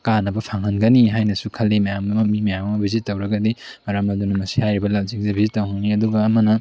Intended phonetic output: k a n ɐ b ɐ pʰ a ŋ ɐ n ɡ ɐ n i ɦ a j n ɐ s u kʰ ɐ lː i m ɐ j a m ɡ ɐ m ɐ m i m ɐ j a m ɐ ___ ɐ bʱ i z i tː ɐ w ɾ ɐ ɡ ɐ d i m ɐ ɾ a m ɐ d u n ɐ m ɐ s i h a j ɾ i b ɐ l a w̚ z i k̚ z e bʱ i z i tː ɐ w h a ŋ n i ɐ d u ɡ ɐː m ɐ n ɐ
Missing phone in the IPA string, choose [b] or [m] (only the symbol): m